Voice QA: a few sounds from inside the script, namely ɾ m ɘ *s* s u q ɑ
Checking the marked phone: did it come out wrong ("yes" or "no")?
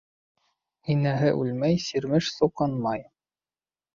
yes